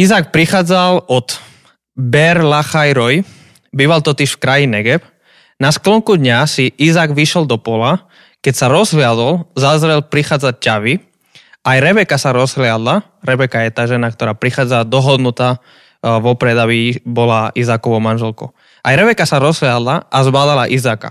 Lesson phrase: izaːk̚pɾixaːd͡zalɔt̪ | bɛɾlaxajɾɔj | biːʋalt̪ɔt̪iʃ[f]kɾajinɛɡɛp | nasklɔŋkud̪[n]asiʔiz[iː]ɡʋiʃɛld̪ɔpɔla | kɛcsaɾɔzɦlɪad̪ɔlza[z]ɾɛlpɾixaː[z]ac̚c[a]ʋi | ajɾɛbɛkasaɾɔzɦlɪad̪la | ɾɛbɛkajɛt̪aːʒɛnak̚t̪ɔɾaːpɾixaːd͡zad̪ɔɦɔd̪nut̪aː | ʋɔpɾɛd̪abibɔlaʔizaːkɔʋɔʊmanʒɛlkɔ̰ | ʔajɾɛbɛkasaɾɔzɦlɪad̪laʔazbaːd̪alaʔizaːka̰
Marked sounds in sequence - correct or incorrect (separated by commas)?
correct, incorrect, incorrect, correct, incorrect, correct